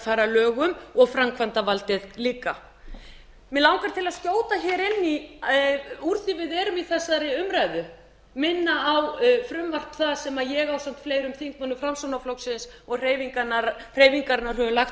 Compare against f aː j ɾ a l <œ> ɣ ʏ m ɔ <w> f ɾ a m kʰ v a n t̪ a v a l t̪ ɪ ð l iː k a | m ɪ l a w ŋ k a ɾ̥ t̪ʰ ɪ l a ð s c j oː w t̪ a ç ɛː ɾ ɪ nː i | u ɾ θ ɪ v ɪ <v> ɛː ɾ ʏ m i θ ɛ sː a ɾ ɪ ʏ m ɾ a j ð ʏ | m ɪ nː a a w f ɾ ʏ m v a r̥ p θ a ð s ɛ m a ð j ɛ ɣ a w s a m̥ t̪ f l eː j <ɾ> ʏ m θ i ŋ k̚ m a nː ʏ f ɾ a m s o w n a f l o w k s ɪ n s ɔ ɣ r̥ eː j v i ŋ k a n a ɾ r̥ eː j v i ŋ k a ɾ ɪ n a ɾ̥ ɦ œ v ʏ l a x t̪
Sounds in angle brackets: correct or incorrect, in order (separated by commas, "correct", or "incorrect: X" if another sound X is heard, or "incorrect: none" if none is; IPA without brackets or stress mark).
incorrect: œː, incorrect: ɣ, incorrect: ð, correct